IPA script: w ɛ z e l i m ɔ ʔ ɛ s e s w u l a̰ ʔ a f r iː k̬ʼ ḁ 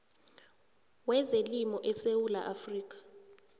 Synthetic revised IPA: w ɛ z e l i m ɔ ʔ ɛ s e w u l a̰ ʔ a f r iː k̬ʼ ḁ